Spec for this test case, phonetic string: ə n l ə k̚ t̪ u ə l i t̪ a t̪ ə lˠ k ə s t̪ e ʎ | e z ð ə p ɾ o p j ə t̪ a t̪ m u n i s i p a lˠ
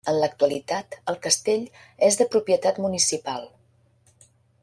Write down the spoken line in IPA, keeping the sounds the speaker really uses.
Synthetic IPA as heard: ə n l ə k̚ t̪ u ə l i t̪ a t̪ ə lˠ k ə s t̪ e ʎ | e z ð ə p ɾ u p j ə t̪ a t̪ m u n i s i p a lˠ